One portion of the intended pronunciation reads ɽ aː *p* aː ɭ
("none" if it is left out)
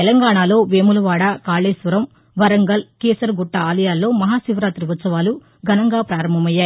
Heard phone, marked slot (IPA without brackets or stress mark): k